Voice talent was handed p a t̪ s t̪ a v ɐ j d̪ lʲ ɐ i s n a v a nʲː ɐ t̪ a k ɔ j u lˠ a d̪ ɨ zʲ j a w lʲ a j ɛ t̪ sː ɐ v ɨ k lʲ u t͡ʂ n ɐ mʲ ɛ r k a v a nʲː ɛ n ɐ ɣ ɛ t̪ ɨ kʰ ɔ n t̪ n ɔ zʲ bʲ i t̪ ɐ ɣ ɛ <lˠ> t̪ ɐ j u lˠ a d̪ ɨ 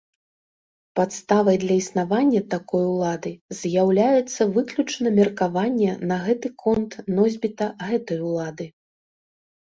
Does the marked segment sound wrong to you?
yes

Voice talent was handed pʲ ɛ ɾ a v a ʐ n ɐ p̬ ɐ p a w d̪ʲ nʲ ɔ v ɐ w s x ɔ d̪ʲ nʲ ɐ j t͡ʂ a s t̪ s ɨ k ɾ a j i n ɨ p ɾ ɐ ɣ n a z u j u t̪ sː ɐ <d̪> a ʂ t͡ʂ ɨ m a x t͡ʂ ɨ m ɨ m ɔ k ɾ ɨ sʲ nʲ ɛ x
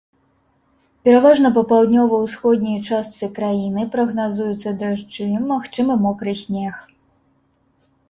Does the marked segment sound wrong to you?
no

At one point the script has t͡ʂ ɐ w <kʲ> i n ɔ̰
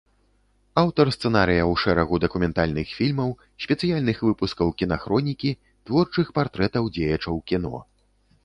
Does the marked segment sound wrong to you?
no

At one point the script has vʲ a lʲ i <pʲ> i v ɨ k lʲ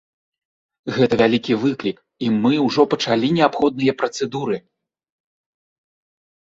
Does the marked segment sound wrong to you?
yes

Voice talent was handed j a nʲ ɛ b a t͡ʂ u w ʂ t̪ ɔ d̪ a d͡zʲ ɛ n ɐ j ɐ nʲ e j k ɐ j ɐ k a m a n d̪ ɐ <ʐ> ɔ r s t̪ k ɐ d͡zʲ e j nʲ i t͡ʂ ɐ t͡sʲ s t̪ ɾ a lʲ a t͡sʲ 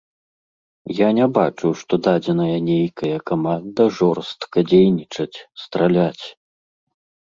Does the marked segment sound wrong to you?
no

